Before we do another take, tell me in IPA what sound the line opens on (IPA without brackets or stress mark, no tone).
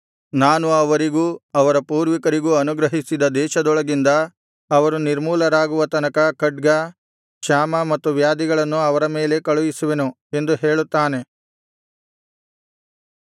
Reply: n